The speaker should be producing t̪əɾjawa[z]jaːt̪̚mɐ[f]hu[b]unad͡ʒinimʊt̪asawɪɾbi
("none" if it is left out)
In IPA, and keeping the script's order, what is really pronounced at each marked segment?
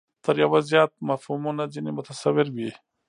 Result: z, f, m

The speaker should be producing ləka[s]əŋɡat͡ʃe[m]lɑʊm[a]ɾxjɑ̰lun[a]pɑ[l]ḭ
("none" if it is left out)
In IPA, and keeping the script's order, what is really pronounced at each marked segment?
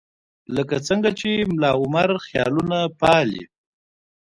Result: t͡s, m, a, a, l

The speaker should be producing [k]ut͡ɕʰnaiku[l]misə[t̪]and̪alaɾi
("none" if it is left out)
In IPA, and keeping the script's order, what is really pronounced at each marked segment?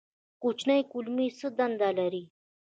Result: k, l, d̪

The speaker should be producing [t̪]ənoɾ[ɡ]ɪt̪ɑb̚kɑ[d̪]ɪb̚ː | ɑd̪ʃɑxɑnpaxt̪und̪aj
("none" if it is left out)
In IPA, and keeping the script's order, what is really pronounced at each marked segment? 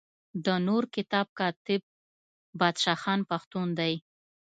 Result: d̪, k, t̪

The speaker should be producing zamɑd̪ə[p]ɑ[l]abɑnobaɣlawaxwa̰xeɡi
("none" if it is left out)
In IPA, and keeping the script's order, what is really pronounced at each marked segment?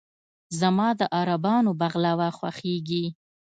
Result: ʔ, ɾ

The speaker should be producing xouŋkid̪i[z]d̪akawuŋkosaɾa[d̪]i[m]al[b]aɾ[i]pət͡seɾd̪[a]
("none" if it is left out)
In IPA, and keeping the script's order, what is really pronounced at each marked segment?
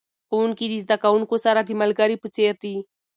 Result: z, d̪, m, ɡ, i, i

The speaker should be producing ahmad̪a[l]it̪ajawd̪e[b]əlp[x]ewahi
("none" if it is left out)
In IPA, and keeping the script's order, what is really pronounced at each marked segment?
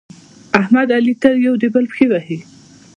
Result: l, b, x

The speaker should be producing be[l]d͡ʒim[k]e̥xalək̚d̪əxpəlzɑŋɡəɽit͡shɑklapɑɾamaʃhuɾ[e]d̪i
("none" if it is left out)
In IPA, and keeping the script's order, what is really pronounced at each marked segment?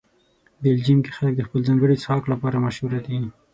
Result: l, k, a

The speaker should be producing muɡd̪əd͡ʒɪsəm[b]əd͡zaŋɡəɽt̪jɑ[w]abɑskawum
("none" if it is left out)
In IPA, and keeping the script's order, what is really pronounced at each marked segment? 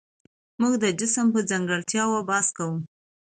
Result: p, w

